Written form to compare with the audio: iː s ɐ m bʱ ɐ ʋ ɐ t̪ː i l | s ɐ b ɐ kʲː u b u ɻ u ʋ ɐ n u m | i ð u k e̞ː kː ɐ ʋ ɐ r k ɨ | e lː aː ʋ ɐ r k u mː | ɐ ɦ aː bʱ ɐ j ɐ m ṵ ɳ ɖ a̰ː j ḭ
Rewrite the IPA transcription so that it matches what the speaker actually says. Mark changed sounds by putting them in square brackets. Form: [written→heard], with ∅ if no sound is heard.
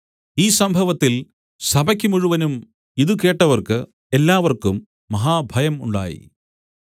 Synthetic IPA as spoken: iː s ɐ m bʱ ɐ ʋ ɐ t̪ː i l | s ɐ b ɐ kʲː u [b→m] u ɻ u ʋ ɐ n u m | i ð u k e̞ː [kː→ʈː] ɐ ʋ ɐ r k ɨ | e lː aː ʋ ɐ r k u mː | ɐ ɦ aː bʱ ɐ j ɐ m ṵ ɳ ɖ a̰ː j ḭ